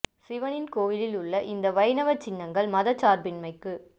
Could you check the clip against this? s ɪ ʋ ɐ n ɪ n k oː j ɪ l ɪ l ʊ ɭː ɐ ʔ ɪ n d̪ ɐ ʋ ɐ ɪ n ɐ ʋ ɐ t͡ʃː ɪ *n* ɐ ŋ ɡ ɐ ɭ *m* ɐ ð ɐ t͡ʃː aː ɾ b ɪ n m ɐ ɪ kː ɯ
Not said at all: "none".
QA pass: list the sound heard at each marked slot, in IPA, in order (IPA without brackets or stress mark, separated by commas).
nː, m